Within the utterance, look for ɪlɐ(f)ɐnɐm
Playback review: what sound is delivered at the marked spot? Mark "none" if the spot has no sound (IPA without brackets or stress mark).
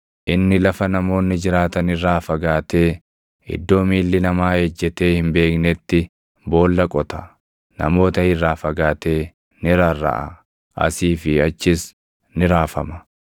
f